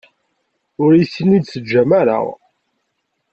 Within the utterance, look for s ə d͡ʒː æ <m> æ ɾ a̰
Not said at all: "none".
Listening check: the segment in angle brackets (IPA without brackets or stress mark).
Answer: m